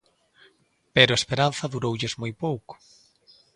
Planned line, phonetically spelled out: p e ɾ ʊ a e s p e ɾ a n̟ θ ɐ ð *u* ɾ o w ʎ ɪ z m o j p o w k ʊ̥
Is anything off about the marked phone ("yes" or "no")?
no